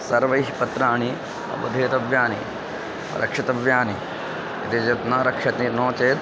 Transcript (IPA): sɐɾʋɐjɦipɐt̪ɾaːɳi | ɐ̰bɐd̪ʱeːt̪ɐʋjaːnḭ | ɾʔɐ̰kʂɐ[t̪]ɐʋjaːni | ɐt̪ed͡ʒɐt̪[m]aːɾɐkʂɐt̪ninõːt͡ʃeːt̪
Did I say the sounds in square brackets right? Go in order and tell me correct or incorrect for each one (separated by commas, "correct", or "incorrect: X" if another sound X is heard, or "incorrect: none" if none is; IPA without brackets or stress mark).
correct, incorrect: n